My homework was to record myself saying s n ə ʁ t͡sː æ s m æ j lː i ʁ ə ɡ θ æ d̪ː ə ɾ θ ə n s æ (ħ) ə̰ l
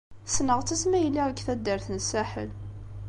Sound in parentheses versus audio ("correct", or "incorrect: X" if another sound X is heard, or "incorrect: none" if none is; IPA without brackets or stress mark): correct